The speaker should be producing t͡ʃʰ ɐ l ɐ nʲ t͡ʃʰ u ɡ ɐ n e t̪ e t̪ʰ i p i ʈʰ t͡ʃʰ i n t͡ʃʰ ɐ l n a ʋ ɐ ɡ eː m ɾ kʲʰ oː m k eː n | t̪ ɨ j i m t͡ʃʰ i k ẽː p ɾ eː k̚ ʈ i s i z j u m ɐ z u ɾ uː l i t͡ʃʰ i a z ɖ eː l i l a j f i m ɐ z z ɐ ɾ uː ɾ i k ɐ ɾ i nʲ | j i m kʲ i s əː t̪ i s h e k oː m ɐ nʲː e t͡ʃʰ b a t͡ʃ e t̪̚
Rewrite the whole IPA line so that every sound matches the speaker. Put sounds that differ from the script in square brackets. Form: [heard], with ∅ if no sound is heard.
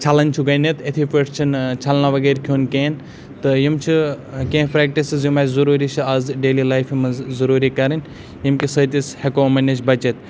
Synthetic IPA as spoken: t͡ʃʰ ɐ l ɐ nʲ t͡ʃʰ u ɡ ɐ n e t̪ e t̪ʰ i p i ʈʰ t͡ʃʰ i n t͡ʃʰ ɐ l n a ʋ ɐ ɡ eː [∅] ɾ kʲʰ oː [n] k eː n | t̪ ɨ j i m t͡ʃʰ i k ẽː p ɾ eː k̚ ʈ i s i z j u m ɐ z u ɾ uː [ɾ] i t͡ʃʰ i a z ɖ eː l i l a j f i m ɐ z z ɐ ɾ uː ɾ i k ɐ ɾ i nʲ | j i m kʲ i s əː t̪ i s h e k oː m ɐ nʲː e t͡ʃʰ b [ɐ] t͡ʃ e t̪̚